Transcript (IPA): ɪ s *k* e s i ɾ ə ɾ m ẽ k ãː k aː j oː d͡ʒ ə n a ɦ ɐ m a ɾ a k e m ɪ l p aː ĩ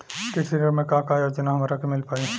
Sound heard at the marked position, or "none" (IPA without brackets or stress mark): k